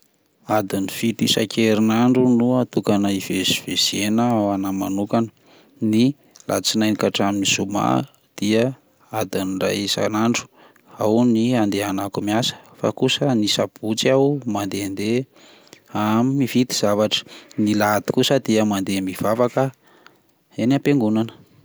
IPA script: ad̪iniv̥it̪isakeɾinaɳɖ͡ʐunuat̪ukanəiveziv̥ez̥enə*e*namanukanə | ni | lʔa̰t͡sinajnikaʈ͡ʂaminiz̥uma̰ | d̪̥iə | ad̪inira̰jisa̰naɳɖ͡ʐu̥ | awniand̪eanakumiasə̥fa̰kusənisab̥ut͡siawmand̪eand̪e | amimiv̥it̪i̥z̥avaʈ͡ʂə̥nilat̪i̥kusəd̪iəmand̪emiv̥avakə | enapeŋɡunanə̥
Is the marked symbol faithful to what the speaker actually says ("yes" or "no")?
no